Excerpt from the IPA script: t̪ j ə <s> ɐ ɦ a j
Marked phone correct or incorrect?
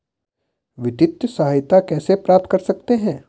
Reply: correct